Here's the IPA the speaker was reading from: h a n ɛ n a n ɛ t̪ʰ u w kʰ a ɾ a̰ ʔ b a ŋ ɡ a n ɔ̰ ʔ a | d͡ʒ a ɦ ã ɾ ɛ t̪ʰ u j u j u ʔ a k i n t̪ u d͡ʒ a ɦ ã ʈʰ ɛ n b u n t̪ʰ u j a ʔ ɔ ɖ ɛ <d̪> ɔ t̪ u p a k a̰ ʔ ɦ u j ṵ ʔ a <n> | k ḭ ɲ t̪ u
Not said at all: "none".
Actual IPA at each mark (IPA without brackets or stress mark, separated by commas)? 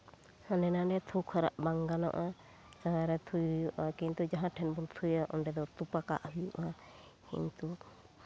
d̪, none